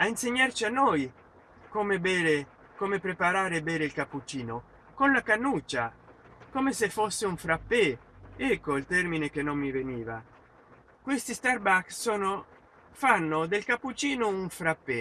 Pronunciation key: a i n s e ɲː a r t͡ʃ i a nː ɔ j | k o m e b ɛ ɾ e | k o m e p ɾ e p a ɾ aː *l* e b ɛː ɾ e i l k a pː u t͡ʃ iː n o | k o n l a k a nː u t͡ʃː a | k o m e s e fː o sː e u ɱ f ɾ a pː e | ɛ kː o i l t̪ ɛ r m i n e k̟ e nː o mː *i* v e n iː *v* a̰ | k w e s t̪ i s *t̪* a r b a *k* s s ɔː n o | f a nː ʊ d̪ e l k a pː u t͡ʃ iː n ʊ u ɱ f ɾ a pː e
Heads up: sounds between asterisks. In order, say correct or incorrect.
incorrect, correct, correct, correct, correct

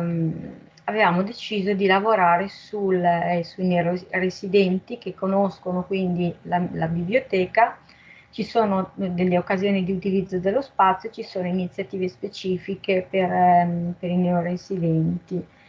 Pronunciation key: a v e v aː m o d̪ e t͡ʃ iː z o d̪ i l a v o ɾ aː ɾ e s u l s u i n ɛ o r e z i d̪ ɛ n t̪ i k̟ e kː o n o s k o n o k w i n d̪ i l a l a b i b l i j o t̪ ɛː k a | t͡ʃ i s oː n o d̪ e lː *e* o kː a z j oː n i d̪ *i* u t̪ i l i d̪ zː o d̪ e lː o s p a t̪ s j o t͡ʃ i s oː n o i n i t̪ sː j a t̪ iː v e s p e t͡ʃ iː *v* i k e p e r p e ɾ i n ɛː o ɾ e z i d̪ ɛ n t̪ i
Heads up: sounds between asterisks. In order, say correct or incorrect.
correct, correct, incorrect

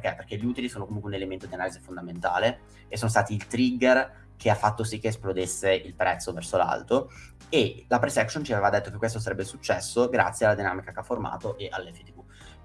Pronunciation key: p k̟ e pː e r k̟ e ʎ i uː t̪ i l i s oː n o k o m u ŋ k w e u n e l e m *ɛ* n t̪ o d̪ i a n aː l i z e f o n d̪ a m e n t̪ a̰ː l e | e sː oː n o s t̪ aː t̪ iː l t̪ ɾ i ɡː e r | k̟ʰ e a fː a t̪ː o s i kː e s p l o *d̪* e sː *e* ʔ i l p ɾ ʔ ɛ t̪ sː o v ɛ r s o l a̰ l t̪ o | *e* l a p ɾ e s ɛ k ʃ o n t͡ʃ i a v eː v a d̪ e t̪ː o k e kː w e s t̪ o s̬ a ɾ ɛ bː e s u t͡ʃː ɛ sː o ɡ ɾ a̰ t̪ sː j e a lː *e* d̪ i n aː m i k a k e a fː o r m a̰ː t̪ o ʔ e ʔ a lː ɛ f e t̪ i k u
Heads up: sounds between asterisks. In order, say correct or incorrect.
incorrect, correct, correct, correct, incorrect

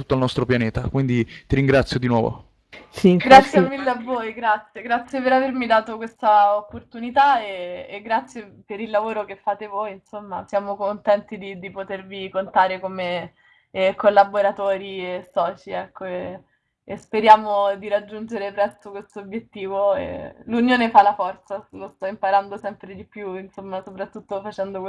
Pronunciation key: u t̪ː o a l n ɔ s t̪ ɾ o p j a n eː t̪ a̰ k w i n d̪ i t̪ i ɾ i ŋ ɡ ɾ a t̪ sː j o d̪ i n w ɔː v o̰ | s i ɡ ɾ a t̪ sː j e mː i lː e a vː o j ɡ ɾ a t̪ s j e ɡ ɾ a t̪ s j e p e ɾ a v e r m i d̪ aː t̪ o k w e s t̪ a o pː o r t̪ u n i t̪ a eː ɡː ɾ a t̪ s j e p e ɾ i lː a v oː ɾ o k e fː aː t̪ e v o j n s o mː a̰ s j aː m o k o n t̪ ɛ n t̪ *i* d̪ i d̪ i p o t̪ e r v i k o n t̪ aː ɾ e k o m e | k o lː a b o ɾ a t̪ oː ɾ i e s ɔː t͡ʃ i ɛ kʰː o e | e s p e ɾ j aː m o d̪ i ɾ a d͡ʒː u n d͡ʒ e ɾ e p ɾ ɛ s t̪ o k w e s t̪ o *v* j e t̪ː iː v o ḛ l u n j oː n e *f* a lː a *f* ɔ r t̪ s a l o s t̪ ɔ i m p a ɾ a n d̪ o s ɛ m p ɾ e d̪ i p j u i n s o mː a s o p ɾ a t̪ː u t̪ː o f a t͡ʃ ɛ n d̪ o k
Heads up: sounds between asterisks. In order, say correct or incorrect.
correct, incorrect, correct, correct

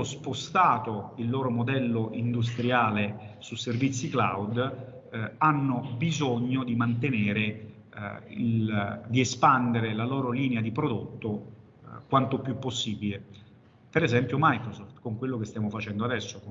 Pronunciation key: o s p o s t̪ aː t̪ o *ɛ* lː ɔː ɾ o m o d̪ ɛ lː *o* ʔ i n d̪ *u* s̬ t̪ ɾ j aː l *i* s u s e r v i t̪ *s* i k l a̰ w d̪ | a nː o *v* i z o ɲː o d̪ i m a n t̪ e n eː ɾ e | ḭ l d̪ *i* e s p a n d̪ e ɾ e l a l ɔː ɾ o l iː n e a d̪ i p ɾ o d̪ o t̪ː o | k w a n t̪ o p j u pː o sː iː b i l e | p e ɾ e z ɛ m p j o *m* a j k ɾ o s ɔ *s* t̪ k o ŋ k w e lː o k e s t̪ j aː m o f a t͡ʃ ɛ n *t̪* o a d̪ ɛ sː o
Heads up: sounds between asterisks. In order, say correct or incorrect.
incorrect, correct, correct, incorrect, incorrect, incorrect, correct, correct, incorrect, incorrect

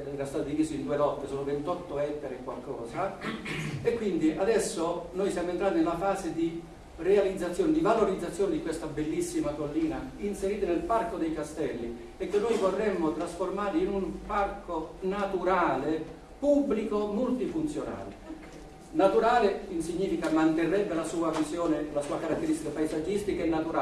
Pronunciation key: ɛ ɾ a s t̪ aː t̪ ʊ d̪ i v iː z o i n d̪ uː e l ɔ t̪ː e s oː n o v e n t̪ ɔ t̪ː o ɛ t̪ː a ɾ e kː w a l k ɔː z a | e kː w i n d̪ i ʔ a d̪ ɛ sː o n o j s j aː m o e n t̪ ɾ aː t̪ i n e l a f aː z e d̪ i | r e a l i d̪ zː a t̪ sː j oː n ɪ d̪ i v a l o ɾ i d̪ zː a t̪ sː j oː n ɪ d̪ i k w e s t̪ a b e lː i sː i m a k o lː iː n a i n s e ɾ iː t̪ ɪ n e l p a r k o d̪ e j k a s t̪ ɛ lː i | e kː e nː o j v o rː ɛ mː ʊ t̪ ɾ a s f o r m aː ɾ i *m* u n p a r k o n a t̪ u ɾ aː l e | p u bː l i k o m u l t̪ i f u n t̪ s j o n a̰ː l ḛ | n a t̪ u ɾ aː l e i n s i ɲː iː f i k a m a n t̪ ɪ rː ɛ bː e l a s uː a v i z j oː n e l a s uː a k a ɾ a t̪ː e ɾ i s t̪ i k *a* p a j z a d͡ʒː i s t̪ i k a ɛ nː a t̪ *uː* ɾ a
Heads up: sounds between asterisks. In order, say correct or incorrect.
incorrect, correct, incorrect

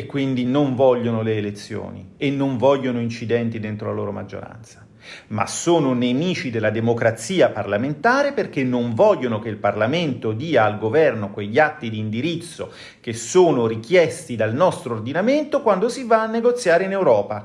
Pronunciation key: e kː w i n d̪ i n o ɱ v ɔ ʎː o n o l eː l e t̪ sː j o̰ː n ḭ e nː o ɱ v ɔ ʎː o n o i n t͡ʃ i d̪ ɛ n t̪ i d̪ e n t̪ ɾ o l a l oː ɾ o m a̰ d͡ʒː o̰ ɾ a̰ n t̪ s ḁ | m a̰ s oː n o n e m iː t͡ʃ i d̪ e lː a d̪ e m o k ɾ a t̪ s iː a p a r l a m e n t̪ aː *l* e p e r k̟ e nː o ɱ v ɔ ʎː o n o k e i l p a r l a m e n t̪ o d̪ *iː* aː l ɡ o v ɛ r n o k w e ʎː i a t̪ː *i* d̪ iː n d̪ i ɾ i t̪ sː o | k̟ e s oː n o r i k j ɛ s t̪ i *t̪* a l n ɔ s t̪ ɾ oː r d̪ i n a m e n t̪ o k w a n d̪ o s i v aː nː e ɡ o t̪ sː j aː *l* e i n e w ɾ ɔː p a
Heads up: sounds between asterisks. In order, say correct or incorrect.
incorrect, correct, correct, incorrect, incorrect

